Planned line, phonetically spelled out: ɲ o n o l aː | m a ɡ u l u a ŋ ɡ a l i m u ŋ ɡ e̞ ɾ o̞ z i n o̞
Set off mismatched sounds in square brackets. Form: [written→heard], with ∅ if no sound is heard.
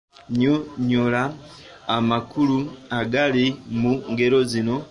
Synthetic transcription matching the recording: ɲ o [n→ɲ] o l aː | m a [ɡ→k] u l u a [ŋ→∅] ɡ a l i m u ŋ ɡ e̞ ɾ o̞ z i n o̞